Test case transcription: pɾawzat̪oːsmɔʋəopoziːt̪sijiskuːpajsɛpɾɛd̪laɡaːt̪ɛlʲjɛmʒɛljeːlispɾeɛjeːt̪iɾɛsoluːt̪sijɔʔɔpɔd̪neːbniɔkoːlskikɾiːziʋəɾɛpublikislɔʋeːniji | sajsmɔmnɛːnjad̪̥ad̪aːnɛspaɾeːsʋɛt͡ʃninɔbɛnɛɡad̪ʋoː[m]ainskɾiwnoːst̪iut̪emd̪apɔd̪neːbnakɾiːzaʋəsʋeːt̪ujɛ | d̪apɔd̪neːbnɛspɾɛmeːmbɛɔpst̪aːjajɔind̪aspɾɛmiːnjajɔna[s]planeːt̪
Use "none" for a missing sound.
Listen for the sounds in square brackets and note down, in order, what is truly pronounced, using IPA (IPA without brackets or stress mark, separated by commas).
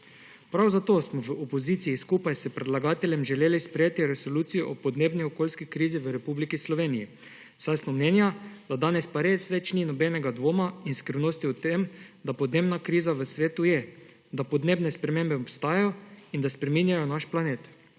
m, ʃ